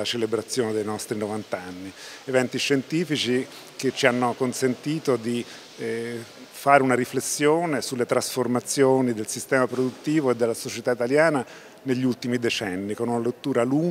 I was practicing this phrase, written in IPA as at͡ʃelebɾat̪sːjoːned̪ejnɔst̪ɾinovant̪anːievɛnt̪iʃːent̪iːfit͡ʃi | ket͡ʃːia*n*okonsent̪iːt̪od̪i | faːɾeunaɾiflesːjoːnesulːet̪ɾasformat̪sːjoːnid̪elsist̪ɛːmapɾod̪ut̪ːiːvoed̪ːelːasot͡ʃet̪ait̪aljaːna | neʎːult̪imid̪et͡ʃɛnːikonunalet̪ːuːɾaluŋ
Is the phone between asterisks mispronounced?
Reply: yes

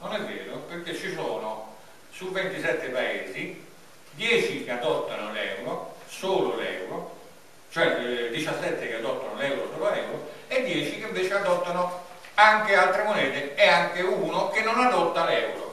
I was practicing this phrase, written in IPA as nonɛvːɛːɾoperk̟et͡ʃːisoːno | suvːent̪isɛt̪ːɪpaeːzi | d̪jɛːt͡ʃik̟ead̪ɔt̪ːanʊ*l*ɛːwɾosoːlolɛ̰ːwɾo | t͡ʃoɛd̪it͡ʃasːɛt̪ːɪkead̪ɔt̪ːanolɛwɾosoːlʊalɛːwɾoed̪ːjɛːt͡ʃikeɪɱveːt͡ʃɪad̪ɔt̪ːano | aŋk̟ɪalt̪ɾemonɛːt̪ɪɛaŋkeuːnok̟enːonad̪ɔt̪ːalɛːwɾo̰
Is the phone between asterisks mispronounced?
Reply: no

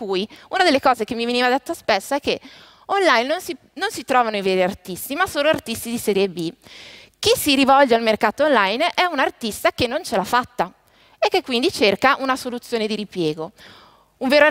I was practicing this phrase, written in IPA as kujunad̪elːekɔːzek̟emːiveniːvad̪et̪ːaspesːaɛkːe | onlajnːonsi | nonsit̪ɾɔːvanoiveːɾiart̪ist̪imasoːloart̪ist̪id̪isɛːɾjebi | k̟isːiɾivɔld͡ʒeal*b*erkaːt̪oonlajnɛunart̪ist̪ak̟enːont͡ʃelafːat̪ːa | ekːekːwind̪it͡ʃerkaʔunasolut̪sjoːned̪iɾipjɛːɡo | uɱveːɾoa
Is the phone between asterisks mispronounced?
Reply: yes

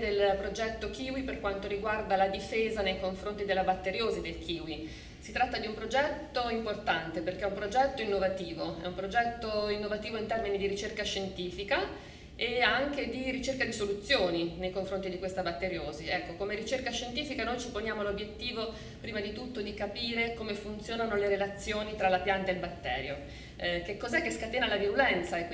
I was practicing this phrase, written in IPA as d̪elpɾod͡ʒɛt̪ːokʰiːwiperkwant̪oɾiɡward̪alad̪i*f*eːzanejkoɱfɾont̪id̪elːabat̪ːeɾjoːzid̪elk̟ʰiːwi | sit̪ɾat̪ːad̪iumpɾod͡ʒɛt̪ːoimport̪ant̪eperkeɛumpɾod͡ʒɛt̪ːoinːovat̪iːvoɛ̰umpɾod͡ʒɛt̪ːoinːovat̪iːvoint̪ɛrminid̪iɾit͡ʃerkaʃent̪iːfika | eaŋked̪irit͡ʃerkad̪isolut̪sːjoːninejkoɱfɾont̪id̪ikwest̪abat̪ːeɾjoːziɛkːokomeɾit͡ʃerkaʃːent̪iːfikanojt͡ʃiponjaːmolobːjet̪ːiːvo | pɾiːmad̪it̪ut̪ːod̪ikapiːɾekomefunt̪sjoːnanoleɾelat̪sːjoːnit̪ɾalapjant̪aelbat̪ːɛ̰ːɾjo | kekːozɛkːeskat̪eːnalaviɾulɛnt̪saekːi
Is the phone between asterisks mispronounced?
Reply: no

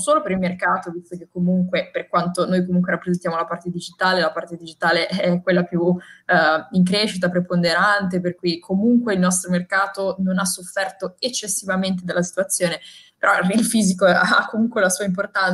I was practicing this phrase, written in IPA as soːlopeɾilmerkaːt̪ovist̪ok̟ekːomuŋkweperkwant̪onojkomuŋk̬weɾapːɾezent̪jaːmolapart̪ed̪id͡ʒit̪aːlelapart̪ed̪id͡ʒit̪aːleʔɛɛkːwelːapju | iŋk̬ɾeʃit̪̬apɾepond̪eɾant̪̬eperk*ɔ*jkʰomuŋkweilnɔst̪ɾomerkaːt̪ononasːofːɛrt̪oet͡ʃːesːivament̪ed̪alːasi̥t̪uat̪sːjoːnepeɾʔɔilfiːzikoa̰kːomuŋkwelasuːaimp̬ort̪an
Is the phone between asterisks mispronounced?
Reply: yes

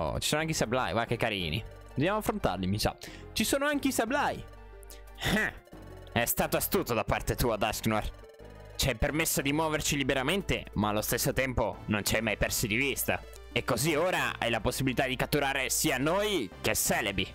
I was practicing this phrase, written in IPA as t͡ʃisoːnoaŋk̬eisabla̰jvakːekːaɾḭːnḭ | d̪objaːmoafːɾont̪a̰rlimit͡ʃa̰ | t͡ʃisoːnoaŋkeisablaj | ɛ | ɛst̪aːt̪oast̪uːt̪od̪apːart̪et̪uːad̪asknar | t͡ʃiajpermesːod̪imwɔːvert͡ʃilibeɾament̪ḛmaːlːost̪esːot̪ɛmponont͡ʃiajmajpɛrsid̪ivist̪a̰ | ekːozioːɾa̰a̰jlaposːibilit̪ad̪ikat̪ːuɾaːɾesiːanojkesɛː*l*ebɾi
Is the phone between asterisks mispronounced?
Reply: no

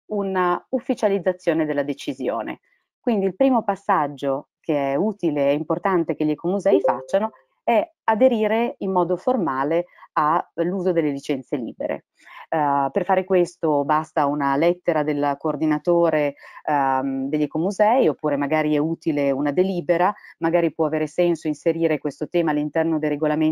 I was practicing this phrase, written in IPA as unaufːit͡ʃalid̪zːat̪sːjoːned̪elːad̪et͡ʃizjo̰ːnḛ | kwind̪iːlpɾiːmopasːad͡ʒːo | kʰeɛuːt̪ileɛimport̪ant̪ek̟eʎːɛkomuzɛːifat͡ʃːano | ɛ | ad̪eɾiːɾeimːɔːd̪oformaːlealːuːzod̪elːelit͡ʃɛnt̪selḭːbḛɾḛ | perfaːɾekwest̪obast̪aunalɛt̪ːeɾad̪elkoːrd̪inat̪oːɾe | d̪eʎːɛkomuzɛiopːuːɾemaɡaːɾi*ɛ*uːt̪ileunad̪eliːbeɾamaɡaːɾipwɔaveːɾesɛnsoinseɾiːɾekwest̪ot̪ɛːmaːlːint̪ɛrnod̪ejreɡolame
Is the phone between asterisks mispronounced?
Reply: no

